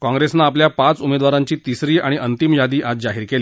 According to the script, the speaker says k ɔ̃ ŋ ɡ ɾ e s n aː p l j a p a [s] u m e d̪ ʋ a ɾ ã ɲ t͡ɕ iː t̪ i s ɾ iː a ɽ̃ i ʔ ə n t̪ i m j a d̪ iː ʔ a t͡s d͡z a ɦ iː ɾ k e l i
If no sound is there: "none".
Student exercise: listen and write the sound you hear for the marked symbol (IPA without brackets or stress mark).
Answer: t͡s